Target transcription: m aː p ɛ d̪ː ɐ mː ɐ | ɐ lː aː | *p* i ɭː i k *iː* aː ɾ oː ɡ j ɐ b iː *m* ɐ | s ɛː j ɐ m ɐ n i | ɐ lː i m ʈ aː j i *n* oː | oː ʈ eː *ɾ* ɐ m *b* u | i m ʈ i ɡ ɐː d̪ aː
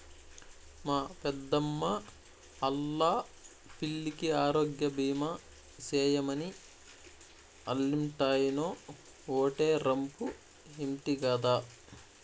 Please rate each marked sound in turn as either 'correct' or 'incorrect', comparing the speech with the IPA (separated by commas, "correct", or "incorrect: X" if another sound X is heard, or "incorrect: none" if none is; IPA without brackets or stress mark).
correct, incorrect: i, correct, correct, correct, incorrect: p